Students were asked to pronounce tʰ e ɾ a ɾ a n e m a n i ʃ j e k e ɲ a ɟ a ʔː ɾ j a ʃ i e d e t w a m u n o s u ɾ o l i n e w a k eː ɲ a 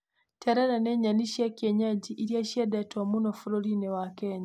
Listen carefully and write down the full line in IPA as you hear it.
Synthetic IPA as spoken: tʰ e ɾ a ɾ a n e ɲ a n i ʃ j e k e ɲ a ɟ i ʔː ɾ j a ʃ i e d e t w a m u n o f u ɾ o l i n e w a k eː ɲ a

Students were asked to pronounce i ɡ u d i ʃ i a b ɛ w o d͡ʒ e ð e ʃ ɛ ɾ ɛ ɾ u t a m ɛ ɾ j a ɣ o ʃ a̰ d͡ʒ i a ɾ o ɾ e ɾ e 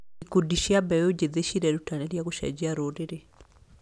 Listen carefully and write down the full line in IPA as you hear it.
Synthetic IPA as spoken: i k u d i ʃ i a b ɛ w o d͡ʒ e ð e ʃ i ɾ ɛ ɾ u t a n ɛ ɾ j a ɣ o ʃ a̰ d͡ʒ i a ɾ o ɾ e ɾ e

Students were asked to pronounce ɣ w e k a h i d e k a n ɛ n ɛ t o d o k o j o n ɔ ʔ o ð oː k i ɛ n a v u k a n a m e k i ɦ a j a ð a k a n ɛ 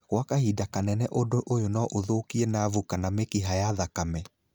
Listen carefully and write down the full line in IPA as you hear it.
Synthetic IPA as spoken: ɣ w a k a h i d a k a n ɛ n ɛ ʔ o d o ʔ o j o n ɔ ʔ o ð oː k i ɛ n a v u k a n a m e k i ɦ a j a ð a k a m ɛ

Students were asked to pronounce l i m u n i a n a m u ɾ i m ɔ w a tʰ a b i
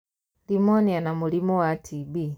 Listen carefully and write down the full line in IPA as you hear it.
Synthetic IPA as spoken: l i m ɔ n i a n a m u l i m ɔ w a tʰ i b i

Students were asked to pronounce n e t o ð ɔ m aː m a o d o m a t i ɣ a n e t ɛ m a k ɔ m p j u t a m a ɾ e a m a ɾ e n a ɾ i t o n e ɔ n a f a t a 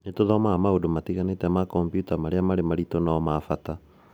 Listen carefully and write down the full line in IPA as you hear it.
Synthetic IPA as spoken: n e t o ð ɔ m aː m a o d o m a t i ɣ a n e t ɛ m a k ɔ m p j u t a m a ɾ e a m a ɾ e m a ɾ i t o n a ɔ m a f a t a

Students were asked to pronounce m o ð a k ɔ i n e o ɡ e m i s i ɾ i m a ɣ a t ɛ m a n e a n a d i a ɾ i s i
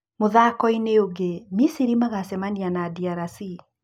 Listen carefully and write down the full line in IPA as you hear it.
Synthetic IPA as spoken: m o ð a k ɔ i n e o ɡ e m i s i ɾ i m a ɣ a s ɛ m a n i a n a d i a ɾ a s i

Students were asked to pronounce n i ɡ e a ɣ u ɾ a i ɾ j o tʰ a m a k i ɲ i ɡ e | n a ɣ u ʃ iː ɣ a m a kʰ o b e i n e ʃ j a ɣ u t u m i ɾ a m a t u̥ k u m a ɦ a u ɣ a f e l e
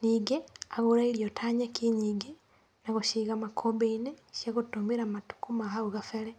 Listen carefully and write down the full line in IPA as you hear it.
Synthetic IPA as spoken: n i ɡ e a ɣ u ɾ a i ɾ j o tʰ a ɲ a k i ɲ i ɡ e | n a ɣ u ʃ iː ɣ a m a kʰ o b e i n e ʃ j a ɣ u t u m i ɾ a m a t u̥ k u m a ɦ a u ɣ a f e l e

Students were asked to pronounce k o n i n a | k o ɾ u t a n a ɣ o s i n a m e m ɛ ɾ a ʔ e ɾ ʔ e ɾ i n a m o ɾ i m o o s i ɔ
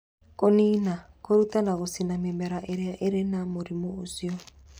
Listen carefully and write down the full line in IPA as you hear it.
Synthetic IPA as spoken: k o n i n a | k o ɾ u t a n a ɣ o s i n a m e m ɛ ɾ a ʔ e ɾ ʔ e ɾ e n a m o ɾ i m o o s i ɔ

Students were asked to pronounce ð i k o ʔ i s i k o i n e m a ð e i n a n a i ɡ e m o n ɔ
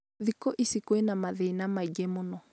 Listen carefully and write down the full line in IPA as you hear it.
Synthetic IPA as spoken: ð i k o ʔ i s i k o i n a m a ð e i n a m a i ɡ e m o n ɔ

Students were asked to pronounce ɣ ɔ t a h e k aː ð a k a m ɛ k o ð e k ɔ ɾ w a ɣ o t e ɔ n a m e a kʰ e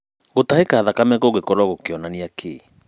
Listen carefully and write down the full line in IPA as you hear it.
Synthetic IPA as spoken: ɣ o t a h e k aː ð a k a m ɛ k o ɣ e k ɔ ɾ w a ɣ o k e ɔ n a n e a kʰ e

